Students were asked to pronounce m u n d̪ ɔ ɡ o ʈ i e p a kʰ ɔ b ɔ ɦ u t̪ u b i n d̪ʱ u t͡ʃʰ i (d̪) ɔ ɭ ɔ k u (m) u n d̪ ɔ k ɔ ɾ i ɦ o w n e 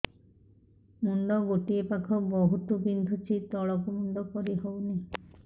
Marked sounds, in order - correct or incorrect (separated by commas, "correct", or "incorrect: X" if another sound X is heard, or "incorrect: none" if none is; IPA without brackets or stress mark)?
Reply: incorrect: t̪, correct